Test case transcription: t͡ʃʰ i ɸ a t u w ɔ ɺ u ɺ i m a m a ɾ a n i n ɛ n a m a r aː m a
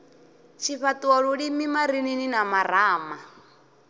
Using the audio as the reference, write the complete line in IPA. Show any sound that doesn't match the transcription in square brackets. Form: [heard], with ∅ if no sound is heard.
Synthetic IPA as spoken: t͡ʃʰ i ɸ a t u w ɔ ɺ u ɺ i m [i] m a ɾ [i] n i n [i] n a m a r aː m a